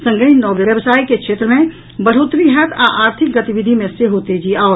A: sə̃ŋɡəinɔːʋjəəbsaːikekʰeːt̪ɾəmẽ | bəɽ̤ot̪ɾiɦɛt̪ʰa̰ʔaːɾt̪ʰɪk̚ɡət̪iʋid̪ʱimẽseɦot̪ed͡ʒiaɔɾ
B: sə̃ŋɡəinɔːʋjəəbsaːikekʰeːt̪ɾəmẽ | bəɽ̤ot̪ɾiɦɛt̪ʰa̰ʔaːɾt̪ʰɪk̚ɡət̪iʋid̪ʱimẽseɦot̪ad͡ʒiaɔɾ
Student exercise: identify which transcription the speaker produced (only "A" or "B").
A